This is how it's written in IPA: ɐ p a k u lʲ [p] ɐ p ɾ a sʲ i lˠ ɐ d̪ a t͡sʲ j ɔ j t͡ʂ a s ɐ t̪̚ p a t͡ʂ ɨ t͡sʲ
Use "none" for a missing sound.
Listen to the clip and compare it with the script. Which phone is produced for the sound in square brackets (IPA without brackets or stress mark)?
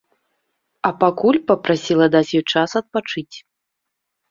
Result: p